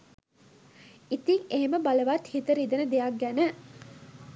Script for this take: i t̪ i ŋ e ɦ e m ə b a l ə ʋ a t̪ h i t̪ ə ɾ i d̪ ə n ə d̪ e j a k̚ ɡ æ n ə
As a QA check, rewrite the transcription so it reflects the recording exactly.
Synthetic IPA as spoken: i t̪ i ŋ e ɦ e m ə b a l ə ʋ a t̪ h i t̪ ə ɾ i d̪ ə n ə d̪ e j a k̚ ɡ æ n ə

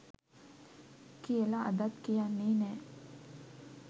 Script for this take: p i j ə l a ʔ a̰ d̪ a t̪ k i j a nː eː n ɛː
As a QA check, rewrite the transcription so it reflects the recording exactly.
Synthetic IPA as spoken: k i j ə l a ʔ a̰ d̪ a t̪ k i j a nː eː n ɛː

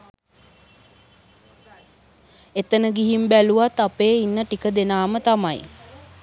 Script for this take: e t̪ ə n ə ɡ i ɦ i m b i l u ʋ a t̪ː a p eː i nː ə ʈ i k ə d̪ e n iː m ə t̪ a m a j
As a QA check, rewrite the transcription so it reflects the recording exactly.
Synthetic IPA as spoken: e t̪ ə n ə ɡ i ɦ i m b æ l u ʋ a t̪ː a p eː i nː ə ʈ i k ə d̪ e n aː m ə t̪ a m a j

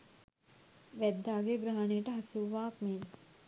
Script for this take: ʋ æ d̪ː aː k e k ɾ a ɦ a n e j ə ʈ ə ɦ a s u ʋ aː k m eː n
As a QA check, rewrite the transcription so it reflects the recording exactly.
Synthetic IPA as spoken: ʋ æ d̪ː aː ɡ e ɡ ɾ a ɦ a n e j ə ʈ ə ɦ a s u ʋ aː k m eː n

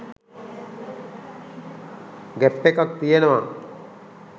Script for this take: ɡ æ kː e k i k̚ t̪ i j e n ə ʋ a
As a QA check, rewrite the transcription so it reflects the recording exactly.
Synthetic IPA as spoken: ɡ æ pː e k a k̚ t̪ i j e n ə ʋ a

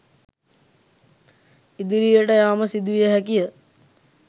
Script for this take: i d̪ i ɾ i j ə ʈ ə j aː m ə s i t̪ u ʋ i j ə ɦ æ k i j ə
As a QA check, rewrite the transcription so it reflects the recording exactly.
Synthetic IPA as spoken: i d̪ i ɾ i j ə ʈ ə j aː m ə s i d̪ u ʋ i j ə ɦ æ k i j ə

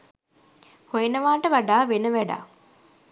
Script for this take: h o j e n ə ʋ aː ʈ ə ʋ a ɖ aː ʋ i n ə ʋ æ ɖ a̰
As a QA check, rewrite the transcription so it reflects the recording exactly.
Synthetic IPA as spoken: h o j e n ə ʋ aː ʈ ə ʋ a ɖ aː ʋ e n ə ʋ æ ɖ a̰

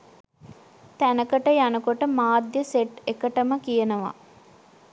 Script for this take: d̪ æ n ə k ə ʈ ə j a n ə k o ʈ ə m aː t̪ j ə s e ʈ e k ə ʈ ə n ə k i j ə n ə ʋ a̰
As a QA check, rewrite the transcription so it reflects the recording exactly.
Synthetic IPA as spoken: t̪ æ n ə k ə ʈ ə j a n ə k o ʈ ə m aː d̪ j ə s e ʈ e k ə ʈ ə m ə k i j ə n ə ʋ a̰

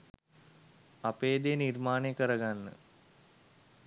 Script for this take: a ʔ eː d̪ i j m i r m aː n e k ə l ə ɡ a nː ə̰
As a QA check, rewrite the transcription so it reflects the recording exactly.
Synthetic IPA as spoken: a p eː d̪ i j n i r m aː n e k ə ɾ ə ɡ a nː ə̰

